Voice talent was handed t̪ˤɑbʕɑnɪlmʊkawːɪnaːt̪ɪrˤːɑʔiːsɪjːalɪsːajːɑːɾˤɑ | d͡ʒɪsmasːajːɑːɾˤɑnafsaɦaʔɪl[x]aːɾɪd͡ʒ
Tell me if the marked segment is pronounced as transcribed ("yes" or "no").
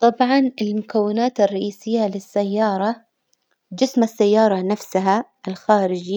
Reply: yes